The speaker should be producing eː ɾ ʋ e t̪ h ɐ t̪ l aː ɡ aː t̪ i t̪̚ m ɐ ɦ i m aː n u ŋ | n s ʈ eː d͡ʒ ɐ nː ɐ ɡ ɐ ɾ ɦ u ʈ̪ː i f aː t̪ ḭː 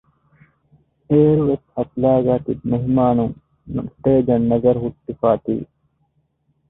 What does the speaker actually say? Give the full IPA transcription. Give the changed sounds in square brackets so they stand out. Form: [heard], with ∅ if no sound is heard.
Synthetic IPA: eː ɾ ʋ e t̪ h ɐ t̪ l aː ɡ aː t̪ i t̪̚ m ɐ ɦ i m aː n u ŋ | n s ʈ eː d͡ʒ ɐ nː ɐ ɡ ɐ ɾ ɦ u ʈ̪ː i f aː t̪ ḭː